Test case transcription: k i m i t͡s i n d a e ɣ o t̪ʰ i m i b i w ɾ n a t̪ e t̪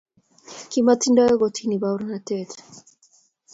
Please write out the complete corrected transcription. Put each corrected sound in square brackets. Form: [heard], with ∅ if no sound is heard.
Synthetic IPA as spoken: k i m [a] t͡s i n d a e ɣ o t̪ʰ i [n] i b [a] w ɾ n a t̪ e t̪